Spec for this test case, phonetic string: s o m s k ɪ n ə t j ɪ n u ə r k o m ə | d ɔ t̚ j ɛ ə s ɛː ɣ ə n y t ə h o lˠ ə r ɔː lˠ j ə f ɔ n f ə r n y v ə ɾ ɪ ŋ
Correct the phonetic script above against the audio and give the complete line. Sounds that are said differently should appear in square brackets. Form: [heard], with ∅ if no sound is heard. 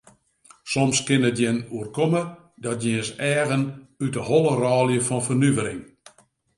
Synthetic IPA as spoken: s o m s k ɪ n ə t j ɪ n u ə r k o m ə | d ɔ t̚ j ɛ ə s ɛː ɣ ə n y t ə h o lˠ ə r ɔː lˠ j ə f ɔ n f ə r n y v ə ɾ ɪ ŋ